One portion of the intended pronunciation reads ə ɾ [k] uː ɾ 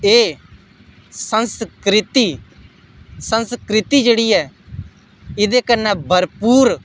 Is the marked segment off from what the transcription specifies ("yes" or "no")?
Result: yes